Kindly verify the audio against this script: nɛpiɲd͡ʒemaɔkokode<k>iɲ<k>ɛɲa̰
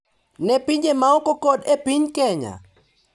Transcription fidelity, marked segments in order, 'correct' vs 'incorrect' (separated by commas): incorrect, correct